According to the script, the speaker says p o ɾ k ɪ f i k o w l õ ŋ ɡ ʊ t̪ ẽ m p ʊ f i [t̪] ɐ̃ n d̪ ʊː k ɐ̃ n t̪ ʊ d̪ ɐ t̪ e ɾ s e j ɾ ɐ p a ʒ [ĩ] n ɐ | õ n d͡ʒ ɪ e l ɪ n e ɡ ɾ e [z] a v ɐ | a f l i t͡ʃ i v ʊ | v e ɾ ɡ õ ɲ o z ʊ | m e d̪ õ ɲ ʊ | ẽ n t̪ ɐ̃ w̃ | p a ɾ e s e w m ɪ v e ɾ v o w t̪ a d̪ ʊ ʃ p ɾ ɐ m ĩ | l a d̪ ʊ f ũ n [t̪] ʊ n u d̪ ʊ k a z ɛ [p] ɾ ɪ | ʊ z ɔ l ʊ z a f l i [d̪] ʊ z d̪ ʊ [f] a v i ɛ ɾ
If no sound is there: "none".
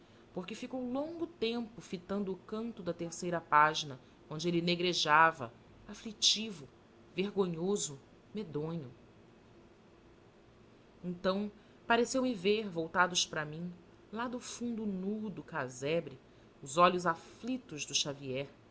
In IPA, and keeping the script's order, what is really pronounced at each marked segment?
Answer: t̪, i, ʒ, d̪, b, t̪, ʃ

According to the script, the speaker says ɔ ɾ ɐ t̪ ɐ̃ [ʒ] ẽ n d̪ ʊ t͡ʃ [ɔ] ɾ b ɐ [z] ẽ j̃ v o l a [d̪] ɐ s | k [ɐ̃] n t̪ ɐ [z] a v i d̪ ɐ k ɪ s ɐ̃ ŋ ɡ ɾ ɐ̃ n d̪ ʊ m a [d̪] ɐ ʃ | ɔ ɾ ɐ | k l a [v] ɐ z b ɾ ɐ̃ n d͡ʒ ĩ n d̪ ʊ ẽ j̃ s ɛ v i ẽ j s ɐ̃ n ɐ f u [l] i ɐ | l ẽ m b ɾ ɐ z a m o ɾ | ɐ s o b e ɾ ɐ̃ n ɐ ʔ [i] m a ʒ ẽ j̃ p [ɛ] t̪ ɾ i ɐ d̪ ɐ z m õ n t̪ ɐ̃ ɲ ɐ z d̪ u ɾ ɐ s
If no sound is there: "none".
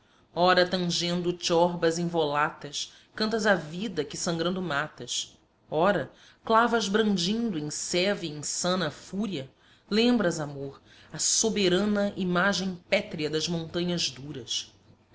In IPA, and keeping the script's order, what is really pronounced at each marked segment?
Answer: ʒ, ɔ, z, t̪, ɐ̃, z, t̪, v, ɾ, i, ɛ

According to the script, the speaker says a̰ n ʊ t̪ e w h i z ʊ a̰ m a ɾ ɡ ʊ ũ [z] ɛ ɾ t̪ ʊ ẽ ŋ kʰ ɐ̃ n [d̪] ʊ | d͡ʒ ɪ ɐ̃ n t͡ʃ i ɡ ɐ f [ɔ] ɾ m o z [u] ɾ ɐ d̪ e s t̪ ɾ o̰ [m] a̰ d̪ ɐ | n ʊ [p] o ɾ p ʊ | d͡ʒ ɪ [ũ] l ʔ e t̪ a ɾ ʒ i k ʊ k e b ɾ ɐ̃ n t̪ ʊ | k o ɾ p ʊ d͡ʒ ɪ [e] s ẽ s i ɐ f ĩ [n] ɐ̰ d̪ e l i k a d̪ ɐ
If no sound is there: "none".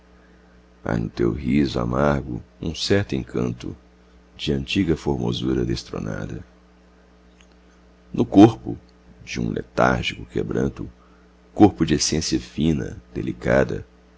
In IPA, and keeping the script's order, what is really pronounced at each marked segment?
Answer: s, t̪, o, u, n, k, ũ, e, n

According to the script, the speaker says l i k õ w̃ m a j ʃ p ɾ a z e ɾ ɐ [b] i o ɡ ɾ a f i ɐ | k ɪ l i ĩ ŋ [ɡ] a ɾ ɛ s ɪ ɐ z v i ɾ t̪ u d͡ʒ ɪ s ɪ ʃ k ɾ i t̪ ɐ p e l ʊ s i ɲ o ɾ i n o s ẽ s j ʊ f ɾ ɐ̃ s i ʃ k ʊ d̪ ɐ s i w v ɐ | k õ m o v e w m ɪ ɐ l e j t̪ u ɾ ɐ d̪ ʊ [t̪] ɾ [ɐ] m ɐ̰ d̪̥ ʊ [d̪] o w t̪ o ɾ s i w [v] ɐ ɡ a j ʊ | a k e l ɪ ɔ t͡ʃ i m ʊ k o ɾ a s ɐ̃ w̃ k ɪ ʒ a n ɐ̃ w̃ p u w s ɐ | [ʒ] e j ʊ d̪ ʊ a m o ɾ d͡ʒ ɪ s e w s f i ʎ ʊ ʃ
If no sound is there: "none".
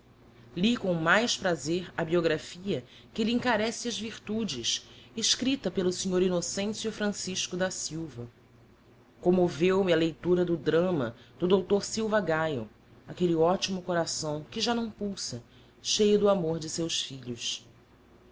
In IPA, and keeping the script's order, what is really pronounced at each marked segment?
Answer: b, k, d̪, ɐ̃, d̪, v, ʃ

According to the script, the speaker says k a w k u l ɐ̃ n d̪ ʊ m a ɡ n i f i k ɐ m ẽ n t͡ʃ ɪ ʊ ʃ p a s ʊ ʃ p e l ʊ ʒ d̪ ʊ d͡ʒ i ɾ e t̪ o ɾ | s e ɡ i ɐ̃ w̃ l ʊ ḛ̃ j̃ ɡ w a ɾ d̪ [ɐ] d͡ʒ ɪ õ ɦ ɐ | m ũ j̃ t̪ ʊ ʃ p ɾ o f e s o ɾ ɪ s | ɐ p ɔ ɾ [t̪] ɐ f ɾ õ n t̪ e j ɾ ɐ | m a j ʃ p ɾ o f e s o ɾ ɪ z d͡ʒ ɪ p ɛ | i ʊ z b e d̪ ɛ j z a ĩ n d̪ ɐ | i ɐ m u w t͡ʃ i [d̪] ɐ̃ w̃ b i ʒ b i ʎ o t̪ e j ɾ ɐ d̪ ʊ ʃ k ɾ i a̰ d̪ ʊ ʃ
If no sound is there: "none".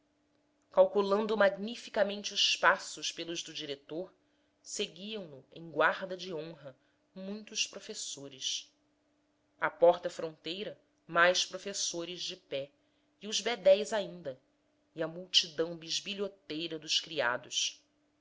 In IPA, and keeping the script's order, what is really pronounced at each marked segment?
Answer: ɐ, t̪, d̪

